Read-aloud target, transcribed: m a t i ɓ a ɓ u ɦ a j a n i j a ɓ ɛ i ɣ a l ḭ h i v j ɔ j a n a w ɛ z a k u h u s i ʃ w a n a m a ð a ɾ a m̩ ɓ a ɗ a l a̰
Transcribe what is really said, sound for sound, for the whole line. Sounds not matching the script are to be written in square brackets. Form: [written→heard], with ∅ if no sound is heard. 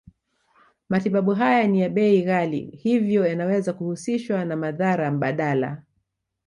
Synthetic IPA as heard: m a t i ɓ a ɓ u ɦ a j a n i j a ɓ ɛ i ɣ a l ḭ h i v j ɔ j a n a w ɛ z a k u h u s i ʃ w a n a m a ð a ɾ a m̩ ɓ a ɗ a l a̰